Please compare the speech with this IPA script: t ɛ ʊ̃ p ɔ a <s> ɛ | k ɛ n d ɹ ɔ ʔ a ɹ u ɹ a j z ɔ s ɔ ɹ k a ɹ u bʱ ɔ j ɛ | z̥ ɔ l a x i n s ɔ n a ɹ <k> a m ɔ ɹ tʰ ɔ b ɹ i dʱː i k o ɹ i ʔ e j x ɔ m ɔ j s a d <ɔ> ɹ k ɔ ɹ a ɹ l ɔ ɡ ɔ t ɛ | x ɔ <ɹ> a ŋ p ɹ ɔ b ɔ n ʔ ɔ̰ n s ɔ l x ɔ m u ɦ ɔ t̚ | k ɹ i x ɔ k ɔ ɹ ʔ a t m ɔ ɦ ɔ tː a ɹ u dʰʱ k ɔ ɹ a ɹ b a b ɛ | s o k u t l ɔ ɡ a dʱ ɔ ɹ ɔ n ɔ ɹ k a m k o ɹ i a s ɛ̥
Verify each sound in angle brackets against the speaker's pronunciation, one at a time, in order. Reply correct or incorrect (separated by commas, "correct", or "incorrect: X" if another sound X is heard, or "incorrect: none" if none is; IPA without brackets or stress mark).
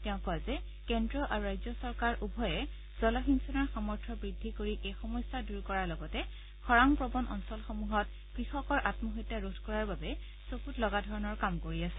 incorrect: z, incorrect: x, incorrect: u, correct